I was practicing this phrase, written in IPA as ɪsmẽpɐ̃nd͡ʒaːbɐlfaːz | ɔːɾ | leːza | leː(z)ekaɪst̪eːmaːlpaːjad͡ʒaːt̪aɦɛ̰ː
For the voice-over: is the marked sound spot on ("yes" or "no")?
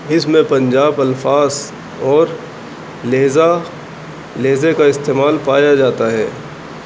yes